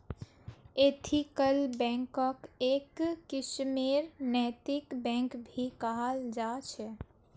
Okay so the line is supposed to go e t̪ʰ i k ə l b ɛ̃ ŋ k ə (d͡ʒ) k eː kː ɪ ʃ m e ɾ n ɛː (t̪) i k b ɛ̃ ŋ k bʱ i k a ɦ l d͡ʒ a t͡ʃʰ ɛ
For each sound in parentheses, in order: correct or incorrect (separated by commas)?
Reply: incorrect, correct